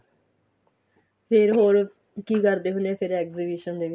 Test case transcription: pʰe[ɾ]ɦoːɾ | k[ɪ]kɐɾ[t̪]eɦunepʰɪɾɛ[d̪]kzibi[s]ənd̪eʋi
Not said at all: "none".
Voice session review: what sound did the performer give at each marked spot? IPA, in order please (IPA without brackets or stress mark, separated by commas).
ɾ, i, d̪, none, ʃ